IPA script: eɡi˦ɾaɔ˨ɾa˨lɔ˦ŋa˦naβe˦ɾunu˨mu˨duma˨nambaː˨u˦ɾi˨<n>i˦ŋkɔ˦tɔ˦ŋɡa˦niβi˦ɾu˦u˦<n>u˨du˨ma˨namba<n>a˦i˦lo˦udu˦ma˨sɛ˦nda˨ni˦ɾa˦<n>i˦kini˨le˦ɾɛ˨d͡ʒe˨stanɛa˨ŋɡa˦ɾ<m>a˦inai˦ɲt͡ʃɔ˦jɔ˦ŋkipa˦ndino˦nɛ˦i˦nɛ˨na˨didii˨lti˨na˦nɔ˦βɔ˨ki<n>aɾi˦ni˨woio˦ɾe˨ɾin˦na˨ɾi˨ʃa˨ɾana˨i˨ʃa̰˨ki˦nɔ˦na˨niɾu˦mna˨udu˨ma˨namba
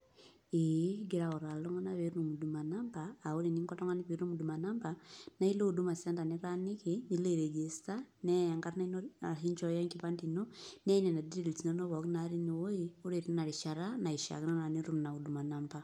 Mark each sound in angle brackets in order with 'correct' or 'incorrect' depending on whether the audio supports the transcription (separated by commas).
correct, incorrect, correct, correct, incorrect, correct